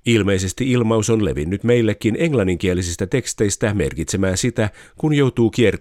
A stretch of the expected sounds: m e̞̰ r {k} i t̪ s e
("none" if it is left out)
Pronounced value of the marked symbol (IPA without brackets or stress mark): k